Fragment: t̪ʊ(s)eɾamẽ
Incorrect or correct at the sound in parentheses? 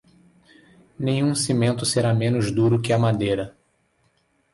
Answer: correct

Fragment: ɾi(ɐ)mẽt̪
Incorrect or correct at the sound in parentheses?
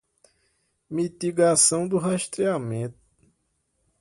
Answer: incorrect: a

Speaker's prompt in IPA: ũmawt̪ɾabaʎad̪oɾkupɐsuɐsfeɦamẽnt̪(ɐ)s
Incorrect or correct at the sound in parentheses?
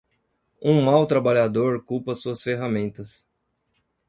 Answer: correct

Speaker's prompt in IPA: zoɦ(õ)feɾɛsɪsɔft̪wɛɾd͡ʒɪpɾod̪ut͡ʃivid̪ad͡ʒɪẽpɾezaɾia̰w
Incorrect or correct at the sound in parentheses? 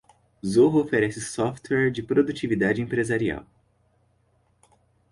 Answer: incorrect: o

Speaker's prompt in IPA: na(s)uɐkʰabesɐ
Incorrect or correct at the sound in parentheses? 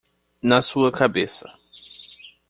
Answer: correct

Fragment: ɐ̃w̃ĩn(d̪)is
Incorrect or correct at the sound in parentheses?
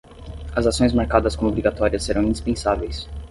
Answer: correct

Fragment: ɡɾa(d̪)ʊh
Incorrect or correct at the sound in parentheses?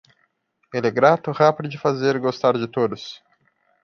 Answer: incorrect: t̪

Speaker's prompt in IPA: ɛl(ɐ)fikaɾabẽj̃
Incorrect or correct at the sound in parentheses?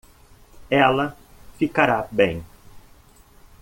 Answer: correct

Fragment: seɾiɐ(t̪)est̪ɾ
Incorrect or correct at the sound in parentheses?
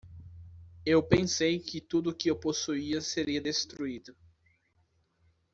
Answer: incorrect: d̪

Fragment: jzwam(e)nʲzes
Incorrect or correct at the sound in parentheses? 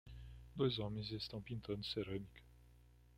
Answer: correct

